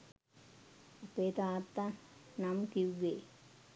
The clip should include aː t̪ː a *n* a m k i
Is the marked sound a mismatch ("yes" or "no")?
no